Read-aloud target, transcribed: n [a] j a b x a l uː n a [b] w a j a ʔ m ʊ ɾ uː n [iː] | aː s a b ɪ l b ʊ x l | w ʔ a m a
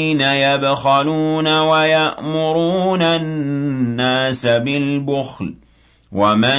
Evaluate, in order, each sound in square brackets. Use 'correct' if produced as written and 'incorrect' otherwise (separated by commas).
correct, incorrect, incorrect